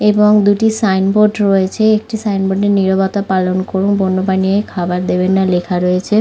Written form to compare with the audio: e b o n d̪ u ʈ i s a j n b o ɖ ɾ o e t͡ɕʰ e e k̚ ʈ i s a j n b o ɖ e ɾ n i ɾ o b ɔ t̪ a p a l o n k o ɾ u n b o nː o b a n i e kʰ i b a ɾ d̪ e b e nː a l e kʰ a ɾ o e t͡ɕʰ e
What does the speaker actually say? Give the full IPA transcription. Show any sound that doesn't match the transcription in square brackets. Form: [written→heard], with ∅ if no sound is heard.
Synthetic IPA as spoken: e b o [n→ŋ] d̪ u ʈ i s a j n b o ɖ ɾ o e t͡ɕʰ e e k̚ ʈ i s a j n b o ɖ e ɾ n i ɾ o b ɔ t̪ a p a l o n k o ɾ u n b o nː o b a n i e kʰ [i→a] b a ɾ d̪ e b e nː a l e kʰ a ɾ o e t͡ɕʰ e